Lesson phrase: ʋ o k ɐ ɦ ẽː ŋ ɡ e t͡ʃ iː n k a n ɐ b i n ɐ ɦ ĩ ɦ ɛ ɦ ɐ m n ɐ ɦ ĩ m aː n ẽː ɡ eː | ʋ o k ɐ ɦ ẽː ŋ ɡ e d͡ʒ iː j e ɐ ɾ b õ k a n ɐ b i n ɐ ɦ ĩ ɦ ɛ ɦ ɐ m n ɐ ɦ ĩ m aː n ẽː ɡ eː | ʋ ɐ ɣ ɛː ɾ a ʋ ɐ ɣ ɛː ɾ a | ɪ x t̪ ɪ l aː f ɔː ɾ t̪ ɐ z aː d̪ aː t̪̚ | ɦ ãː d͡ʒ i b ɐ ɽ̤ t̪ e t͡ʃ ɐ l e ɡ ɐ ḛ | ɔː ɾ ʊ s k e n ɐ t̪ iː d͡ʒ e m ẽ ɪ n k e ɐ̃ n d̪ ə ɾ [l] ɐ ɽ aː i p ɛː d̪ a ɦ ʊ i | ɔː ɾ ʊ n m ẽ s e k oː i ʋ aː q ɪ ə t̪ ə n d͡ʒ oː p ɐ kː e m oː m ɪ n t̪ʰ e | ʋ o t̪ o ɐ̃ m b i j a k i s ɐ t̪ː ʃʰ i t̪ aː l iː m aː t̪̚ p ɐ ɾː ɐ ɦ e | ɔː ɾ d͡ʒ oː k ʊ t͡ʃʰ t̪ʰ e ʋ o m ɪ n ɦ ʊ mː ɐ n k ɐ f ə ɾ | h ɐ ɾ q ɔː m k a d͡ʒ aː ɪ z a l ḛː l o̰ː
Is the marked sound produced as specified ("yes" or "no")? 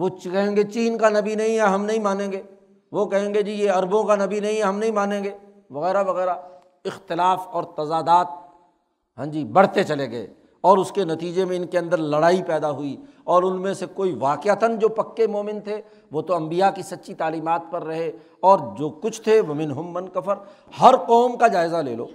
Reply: yes